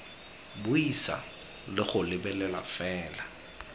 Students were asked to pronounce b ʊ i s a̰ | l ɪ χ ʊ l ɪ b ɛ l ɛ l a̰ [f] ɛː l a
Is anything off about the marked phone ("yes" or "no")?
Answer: no